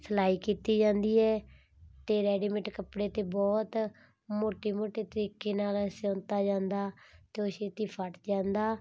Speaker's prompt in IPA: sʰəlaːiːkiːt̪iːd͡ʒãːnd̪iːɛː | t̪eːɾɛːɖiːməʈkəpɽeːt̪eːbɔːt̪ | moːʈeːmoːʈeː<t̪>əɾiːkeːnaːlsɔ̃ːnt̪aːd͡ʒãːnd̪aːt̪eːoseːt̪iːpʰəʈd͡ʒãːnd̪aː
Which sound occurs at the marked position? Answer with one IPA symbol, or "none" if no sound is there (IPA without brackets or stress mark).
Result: t̪